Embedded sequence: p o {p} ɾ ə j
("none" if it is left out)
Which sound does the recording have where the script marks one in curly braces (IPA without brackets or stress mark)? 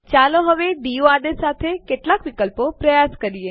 p